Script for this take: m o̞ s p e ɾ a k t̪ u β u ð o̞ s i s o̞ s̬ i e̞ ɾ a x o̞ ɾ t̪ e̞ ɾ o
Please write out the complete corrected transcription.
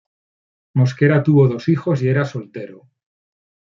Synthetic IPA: m o̞ s k e ɾ a t̪ u β o ð o̞ s i x o̞ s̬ i e̞ ɾ a s o̞ l t̪ e̞ ɾ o